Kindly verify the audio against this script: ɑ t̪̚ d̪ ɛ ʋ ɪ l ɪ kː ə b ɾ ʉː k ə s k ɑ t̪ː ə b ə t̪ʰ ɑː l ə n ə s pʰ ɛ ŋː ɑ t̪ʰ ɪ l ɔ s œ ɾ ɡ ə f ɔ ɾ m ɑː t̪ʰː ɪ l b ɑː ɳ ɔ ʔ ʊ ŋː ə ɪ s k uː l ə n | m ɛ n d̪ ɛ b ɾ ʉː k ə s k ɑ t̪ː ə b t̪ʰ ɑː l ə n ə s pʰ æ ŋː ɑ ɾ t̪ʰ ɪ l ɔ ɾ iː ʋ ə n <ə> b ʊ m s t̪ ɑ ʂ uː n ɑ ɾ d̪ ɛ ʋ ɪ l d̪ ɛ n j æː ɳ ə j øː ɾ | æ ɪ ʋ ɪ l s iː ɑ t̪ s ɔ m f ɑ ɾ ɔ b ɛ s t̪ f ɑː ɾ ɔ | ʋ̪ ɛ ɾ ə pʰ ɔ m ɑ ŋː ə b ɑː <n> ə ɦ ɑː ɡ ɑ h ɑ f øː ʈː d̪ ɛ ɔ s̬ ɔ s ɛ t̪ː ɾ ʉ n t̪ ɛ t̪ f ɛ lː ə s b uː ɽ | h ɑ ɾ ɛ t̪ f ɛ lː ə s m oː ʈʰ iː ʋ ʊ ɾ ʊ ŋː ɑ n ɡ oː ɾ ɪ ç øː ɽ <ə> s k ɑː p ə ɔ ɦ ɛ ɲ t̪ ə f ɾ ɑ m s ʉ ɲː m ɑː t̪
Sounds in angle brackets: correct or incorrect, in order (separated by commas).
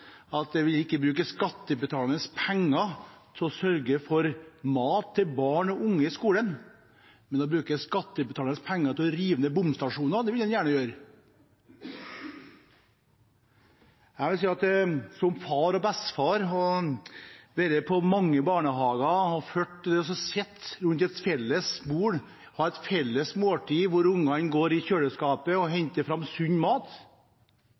correct, incorrect, correct